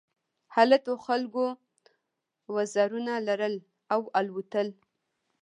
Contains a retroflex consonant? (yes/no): no